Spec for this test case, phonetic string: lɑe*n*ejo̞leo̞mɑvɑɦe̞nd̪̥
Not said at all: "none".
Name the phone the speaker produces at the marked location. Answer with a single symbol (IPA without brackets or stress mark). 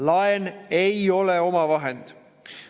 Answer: n